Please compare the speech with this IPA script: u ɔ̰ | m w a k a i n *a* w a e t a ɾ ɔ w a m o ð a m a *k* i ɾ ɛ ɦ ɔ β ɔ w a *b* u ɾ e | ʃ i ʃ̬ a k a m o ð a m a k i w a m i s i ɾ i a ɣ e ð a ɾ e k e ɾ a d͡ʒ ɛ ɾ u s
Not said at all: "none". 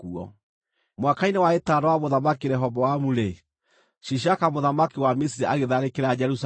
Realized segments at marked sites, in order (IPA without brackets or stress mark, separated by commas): e, k, m